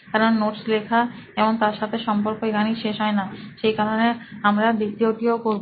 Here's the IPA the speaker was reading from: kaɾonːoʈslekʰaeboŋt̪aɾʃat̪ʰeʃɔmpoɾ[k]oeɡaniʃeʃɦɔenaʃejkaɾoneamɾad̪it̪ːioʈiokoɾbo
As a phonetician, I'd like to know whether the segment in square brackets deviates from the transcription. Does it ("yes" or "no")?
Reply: no